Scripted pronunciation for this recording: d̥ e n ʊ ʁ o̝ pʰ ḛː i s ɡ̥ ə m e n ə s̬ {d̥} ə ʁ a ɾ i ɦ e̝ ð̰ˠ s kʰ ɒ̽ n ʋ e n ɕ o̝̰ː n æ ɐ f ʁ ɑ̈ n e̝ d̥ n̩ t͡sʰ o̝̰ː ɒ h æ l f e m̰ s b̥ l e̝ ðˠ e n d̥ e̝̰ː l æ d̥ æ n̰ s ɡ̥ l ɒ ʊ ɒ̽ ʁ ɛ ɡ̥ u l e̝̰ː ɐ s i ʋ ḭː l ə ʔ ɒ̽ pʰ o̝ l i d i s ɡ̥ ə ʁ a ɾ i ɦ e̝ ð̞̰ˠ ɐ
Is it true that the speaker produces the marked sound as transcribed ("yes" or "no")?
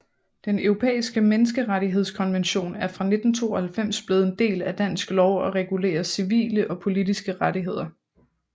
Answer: no